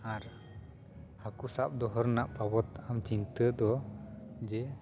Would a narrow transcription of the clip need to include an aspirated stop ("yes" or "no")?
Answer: no